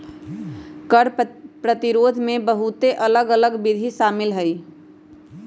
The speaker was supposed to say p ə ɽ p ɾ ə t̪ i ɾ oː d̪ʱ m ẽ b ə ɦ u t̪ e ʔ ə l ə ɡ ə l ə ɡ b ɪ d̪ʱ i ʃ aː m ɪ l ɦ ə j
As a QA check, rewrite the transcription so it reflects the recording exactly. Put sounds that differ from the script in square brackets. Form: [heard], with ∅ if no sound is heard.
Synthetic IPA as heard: [k] ə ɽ p ɾ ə t̪ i ɾ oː d̪ʱ m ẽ b ə ɦ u t̪ e ʔ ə l ə ɡ ə l ə ɡ b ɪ d̪ʱ i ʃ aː m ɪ l ɦ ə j